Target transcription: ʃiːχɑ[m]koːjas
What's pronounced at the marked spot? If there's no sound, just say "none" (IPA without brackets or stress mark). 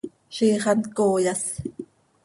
n